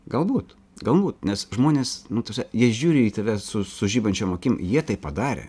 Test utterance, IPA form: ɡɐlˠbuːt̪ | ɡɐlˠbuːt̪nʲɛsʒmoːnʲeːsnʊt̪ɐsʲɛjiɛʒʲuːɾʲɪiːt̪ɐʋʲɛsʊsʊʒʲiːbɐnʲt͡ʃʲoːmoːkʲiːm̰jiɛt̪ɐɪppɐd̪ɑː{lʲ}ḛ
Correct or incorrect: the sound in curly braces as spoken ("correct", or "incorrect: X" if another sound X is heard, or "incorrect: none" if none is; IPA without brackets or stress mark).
incorrect: ɾʲ